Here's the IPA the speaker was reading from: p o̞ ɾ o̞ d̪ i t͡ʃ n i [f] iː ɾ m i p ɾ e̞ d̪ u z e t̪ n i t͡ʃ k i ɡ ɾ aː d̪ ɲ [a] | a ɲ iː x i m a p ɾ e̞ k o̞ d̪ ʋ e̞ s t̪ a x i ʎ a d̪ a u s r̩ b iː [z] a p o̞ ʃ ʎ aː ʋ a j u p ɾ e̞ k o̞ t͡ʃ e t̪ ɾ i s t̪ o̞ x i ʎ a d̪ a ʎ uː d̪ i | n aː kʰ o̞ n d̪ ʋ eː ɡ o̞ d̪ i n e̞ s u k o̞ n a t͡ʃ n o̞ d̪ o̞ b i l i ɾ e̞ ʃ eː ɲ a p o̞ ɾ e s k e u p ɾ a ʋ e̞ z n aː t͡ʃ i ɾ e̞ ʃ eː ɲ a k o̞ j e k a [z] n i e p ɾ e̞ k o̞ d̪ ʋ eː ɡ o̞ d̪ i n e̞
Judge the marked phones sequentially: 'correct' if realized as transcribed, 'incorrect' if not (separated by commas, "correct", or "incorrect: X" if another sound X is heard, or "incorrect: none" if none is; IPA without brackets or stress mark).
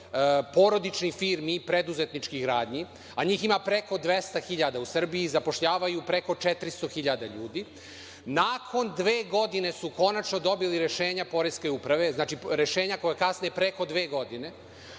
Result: correct, incorrect: i, correct, incorrect: s